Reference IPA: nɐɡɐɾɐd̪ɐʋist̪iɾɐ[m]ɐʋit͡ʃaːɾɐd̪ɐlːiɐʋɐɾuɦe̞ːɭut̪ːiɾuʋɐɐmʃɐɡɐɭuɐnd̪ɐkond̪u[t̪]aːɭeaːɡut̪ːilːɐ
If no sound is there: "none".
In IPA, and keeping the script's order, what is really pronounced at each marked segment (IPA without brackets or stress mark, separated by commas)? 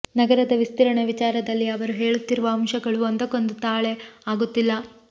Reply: ɳ, t̪